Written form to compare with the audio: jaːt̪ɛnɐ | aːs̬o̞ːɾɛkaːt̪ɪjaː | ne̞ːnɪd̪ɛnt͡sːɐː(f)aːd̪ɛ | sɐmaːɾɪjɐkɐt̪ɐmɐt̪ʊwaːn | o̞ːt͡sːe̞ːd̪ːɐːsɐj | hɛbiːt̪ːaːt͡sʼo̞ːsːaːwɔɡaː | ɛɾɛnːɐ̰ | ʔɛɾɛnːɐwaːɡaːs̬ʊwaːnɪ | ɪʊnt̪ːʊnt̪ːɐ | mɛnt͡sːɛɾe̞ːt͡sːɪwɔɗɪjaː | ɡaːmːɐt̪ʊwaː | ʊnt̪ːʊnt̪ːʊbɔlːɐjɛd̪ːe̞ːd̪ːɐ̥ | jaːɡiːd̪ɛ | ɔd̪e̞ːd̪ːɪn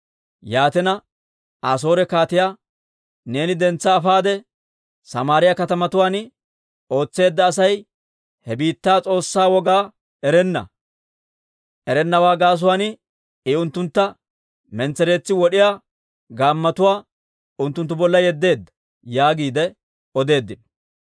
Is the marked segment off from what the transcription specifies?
no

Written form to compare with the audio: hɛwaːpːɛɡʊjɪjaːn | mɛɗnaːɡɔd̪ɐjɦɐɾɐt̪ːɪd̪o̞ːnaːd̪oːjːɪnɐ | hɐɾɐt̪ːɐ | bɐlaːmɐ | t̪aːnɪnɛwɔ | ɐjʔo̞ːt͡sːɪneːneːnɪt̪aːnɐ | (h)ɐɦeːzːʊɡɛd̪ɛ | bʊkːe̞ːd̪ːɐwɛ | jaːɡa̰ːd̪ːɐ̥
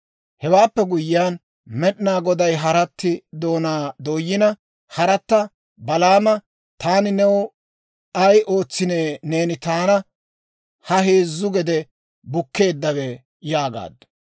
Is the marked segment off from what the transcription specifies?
no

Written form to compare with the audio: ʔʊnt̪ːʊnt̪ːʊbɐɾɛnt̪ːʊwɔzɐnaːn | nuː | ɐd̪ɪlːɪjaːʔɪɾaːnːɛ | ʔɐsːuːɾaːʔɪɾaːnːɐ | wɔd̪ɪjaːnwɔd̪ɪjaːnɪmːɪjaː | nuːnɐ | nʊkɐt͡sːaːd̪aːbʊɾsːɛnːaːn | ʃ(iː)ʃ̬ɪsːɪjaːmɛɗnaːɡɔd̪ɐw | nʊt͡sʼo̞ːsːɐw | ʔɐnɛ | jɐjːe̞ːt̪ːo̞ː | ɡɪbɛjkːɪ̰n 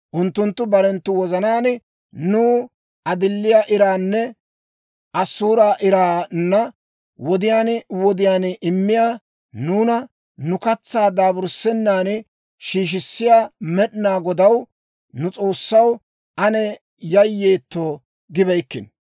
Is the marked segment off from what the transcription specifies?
no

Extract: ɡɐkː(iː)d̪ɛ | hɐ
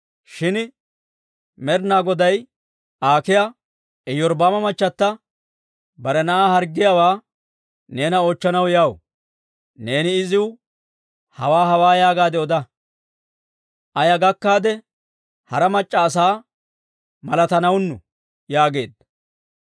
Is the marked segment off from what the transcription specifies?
yes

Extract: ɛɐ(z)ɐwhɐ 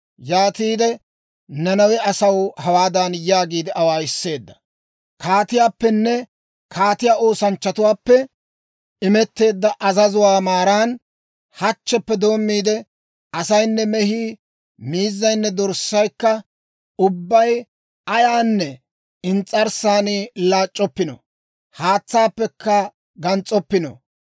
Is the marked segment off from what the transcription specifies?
yes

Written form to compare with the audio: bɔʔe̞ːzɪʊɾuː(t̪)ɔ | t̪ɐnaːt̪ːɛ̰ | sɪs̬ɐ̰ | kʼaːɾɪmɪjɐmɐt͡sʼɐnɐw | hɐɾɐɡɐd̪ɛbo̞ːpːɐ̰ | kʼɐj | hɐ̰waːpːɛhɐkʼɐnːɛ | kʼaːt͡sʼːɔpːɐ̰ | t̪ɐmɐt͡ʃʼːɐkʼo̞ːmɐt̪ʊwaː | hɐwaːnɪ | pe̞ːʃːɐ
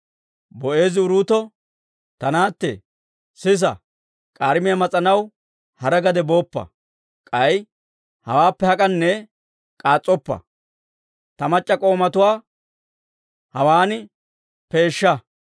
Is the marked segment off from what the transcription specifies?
no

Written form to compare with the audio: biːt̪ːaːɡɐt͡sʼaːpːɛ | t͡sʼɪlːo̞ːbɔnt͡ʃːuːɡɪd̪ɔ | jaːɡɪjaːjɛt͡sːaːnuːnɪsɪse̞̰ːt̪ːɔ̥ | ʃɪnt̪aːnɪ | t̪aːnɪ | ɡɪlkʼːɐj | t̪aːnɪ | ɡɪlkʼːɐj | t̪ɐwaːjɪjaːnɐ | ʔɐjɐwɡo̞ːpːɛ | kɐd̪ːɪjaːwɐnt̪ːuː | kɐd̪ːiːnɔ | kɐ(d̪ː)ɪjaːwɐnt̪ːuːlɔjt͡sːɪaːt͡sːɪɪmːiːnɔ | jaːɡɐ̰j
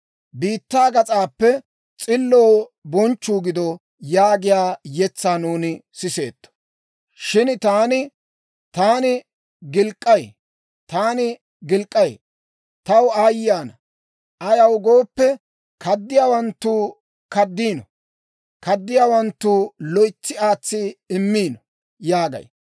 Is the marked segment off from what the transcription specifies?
no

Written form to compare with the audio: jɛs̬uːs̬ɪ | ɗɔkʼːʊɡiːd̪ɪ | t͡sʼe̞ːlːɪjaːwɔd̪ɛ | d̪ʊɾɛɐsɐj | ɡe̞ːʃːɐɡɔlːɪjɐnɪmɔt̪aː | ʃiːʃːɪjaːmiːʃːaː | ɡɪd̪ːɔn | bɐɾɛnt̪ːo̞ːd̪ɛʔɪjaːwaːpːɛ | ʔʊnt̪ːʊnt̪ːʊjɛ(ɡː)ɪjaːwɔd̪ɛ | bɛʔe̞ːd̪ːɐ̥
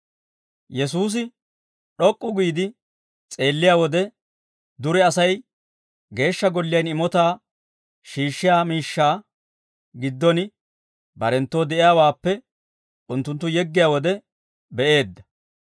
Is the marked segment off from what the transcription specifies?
no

